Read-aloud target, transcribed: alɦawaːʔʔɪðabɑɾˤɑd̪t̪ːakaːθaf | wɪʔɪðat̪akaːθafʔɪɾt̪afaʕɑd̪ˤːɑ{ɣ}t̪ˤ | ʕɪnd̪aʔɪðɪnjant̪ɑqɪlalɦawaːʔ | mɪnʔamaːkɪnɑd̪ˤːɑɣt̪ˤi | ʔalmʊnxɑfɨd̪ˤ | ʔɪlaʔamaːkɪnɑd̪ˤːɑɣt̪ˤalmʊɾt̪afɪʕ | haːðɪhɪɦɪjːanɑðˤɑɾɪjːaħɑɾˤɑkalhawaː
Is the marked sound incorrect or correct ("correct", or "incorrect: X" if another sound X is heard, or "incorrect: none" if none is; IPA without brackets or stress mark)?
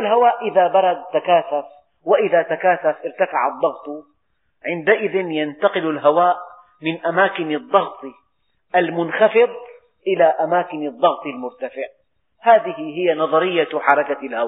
correct